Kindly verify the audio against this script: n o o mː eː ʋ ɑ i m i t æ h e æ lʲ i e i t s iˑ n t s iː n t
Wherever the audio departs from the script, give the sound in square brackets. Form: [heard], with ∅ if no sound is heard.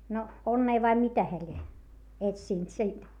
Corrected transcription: n o o [nː] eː ʋ ɑ i m i t æ h e æ lʲ i e [e] t s iˑ n t s iː n t